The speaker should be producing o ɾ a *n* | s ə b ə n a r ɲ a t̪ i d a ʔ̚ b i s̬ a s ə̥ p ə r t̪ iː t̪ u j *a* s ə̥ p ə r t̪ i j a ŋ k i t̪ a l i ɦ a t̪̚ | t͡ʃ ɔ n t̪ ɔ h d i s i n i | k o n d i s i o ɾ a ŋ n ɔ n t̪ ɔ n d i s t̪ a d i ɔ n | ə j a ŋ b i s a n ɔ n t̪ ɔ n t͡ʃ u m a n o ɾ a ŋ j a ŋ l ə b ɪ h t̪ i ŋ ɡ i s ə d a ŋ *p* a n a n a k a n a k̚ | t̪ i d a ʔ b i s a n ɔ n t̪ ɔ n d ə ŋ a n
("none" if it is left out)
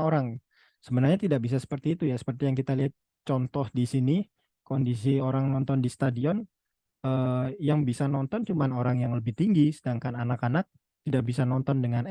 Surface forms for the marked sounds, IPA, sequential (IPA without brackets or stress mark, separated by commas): ŋ, a, k